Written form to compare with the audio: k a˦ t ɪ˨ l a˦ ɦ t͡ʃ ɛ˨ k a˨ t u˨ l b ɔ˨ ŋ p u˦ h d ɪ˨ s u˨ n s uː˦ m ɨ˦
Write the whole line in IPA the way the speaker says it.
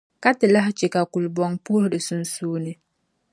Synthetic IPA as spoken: k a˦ t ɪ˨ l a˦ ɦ t͡ʃ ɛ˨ k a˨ k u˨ l b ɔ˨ ŋ p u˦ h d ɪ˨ s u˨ n s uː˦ n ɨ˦